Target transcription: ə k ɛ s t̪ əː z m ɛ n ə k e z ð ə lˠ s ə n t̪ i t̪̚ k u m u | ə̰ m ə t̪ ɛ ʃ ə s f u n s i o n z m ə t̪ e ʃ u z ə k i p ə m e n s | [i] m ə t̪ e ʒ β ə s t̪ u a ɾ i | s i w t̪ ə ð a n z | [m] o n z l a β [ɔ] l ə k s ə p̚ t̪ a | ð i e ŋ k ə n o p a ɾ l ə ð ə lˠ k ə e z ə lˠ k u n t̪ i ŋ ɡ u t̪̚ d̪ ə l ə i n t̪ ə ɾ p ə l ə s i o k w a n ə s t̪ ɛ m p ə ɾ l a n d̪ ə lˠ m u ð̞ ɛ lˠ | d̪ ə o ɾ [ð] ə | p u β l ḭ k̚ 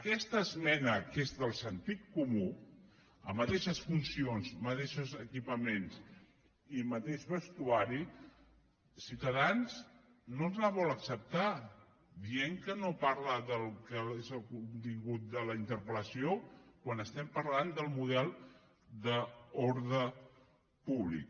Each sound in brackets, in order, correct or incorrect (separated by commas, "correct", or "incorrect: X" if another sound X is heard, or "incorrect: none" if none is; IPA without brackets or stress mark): correct, incorrect: n, correct, correct